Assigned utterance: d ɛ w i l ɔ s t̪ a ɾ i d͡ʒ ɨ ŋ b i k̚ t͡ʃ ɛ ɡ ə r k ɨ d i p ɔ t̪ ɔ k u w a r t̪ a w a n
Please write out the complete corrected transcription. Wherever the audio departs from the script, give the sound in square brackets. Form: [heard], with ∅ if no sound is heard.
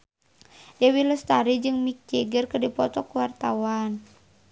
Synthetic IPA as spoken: d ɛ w i l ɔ s t̪ a ɾ i d͡ʒ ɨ ŋ [m] i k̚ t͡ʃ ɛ ɡ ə r k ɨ d i p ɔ t̪ ɔ k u w a r t̪ a w a n